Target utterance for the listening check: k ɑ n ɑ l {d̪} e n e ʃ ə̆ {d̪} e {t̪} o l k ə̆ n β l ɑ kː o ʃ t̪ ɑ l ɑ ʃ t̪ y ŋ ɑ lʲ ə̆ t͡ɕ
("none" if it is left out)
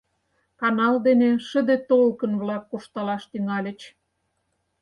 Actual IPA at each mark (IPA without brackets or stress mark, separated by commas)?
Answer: d̪, d̪, t̪